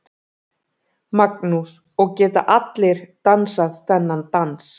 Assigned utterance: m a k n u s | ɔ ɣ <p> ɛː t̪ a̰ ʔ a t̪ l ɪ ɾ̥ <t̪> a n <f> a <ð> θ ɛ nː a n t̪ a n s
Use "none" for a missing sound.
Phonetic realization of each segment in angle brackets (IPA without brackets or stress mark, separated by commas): c, t̪, s, ð